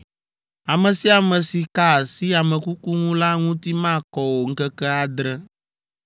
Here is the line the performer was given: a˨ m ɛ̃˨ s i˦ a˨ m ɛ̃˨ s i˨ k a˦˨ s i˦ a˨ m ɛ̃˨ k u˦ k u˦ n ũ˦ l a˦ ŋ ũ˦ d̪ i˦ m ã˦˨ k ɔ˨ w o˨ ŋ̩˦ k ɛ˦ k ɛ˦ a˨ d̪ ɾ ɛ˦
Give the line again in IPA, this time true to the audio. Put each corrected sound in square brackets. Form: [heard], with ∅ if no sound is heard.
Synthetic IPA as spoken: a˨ m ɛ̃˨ s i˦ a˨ m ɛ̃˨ s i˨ k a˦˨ s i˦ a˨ m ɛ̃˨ k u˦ k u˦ [ŋ] ũ˦ l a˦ ŋ ũ˦ [t̪] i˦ m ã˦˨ k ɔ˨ w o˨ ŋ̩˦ k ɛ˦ k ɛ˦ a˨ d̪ ɾ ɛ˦